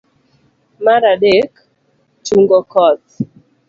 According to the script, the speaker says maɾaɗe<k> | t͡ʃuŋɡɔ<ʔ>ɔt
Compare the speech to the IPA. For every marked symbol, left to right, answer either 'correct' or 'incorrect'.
correct, incorrect

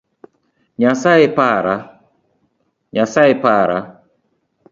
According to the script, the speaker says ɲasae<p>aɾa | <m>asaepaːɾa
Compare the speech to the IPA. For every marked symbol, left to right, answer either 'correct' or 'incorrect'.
correct, incorrect

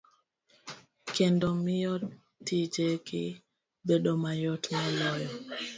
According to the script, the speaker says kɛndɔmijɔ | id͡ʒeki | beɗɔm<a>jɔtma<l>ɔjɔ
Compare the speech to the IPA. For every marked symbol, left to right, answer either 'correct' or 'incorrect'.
correct, correct

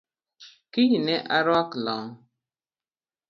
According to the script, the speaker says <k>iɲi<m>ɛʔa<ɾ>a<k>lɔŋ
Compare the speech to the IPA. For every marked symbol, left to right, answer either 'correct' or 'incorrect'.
correct, incorrect, correct, correct

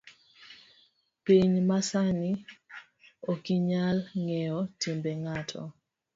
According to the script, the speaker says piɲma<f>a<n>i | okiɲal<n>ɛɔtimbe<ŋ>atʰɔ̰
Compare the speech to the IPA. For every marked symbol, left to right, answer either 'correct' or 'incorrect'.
incorrect, correct, incorrect, correct

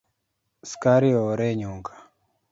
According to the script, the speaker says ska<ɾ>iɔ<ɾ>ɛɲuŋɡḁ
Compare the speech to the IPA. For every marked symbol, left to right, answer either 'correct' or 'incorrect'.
correct, correct

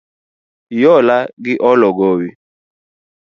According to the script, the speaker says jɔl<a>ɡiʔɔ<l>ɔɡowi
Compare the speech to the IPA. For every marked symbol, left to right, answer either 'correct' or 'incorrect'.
correct, correct

